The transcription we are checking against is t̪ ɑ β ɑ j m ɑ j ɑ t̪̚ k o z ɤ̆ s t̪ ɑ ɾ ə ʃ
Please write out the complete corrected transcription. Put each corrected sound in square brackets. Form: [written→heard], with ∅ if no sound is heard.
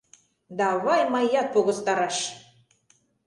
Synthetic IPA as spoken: [t̪→d̪] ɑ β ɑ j m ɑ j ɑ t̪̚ [k→p] o [z→ɣ] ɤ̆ s t̪ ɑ ɾ [ə→ɑ] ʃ

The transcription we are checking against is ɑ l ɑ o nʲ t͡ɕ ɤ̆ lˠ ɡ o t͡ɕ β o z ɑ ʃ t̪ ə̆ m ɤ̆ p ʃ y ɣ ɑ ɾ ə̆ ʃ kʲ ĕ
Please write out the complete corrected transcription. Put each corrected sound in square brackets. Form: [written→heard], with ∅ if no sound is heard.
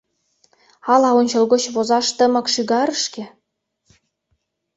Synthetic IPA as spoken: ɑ l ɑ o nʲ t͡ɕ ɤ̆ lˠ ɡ o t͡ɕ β o z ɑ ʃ t̪ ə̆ m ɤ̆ [p→k] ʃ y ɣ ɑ ɾ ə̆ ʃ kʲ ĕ

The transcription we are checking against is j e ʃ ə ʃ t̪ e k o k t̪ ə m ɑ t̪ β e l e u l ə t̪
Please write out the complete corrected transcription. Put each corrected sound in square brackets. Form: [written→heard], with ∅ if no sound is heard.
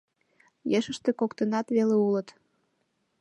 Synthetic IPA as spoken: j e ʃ ə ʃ t̪ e k o k t̪ ə [m→n] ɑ t̪ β e l e u l ə t̪

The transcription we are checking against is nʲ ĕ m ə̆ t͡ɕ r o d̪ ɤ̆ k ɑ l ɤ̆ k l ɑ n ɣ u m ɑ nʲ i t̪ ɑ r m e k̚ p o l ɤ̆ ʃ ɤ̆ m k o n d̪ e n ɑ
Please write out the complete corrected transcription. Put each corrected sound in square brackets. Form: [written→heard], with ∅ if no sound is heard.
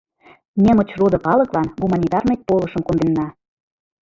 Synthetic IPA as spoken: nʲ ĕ m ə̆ t͡ɕ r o d̪ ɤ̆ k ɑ l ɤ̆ k l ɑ n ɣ u m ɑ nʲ i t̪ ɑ r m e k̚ p o l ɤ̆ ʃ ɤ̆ m k o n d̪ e [n→nː] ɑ

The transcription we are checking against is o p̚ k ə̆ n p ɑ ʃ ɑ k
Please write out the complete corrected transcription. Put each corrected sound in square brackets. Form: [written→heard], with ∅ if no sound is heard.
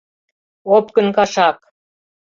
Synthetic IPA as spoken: o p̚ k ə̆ n [p→k] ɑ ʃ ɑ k

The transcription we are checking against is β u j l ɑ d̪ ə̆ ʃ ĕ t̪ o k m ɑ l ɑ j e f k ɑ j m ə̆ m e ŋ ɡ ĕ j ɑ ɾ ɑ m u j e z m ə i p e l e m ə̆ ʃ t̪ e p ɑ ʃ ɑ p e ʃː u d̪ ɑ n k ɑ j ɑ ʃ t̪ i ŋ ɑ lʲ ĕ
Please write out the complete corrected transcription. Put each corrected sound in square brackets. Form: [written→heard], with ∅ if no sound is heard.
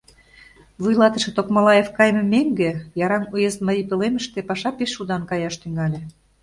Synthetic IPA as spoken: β u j l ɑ [d̪→t̪] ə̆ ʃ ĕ t̪ o k m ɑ l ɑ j e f k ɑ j m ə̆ m e ŋ ɡ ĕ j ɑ ɾ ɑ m u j e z m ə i p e l e m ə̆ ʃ t̪ e p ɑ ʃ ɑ p e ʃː u d̪ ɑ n k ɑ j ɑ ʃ t̪ [i→y] ŋ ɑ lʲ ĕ

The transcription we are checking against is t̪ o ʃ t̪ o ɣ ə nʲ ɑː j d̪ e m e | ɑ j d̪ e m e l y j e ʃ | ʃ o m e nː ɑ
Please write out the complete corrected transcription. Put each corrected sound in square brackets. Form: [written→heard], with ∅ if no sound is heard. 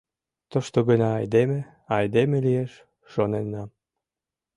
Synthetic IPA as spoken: t̪ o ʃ t̪ o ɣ ə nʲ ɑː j d̪ e m e | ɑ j d̪ e m e l [y→i] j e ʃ | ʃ o [m→n] e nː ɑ

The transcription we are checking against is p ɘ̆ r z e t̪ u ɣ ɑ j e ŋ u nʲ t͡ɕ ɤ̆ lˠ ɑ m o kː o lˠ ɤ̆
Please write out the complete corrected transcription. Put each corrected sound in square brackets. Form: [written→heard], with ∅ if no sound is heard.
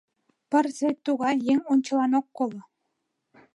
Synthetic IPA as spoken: p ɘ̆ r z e t̪ u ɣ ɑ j e ŋ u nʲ t͡ɕ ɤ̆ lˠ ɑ [m→n] o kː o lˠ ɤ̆

